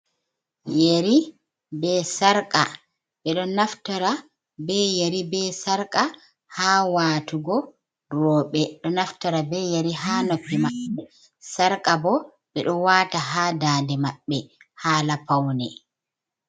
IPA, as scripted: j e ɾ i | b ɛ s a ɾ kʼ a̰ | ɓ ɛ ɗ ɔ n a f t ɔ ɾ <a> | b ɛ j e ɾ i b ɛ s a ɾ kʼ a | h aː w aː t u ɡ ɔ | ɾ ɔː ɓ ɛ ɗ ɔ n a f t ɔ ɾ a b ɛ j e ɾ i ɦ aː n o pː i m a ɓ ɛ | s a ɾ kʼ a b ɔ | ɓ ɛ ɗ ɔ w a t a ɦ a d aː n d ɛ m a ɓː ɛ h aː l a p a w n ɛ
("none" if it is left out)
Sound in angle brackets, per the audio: a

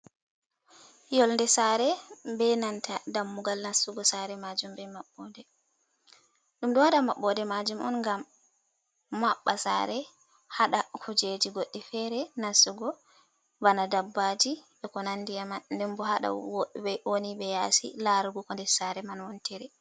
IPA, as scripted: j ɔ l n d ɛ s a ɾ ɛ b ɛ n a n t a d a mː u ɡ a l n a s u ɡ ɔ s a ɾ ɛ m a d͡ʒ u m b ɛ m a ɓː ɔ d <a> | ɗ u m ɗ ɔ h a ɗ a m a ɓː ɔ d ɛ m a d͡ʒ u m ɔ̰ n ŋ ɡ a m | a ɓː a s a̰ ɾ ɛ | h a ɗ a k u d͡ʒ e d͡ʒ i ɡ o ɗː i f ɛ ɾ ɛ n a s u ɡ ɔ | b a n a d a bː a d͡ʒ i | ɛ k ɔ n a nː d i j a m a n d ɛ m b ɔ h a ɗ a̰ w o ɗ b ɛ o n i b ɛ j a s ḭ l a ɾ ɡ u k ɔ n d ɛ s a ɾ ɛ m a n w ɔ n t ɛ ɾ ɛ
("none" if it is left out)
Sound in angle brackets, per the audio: ɛ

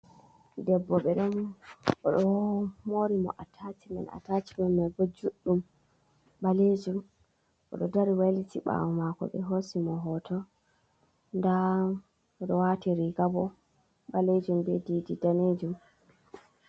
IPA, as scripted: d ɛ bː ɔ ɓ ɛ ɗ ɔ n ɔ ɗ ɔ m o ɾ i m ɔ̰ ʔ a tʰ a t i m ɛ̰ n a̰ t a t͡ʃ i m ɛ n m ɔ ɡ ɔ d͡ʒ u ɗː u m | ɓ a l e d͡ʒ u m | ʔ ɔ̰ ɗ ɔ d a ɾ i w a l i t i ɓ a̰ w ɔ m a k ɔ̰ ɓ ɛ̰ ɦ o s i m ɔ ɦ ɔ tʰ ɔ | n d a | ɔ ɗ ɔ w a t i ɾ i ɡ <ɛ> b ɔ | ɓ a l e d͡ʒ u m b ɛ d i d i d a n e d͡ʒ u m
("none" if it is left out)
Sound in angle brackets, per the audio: a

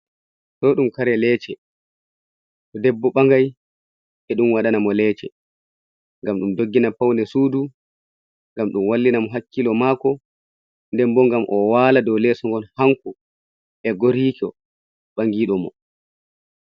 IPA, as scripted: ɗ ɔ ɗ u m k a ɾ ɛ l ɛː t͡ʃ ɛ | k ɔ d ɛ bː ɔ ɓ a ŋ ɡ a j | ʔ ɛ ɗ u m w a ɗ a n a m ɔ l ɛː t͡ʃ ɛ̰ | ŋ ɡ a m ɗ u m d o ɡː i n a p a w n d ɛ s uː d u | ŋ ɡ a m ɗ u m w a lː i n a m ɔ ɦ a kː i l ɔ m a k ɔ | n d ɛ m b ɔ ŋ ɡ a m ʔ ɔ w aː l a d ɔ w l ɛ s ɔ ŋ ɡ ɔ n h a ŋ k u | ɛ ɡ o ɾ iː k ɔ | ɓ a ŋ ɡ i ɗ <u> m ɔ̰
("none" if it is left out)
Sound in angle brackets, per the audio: ɔ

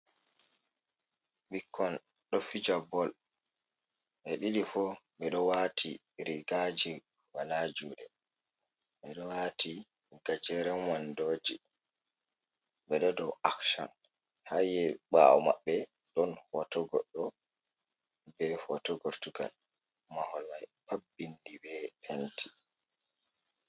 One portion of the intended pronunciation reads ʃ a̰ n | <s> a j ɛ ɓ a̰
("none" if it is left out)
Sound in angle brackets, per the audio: h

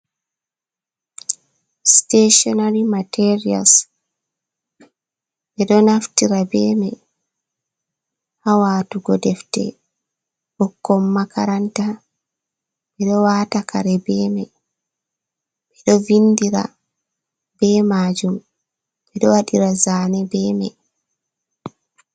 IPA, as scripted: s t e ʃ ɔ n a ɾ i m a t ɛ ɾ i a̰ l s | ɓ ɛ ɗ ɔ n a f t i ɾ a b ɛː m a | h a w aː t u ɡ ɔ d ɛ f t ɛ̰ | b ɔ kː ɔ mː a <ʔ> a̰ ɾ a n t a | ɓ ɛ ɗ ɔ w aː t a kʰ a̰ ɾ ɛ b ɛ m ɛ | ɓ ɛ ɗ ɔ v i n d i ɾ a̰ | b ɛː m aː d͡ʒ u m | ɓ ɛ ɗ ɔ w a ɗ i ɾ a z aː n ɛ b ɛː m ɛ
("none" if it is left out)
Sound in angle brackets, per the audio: k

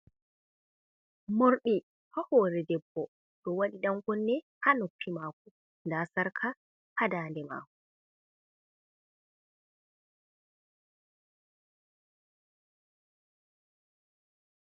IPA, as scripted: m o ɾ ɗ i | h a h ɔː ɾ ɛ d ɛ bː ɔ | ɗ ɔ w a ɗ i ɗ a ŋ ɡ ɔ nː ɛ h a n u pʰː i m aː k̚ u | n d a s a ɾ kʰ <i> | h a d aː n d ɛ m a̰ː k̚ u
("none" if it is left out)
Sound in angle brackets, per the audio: a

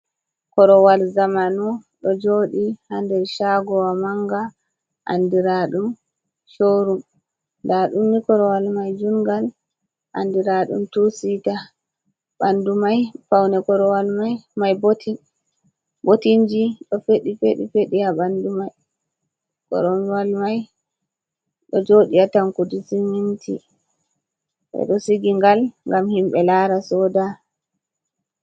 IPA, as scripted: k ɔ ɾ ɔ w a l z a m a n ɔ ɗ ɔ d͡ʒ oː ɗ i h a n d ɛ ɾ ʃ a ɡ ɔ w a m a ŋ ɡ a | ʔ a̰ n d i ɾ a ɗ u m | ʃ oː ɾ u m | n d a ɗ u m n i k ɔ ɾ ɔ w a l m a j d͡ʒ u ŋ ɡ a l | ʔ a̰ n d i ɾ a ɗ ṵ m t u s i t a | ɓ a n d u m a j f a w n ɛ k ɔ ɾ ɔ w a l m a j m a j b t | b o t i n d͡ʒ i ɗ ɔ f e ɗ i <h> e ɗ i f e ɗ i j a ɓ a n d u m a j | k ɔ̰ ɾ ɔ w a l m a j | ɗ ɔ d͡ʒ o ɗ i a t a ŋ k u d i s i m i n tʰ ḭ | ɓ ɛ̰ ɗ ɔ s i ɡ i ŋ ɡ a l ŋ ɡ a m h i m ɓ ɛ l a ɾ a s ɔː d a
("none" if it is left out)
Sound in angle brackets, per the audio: f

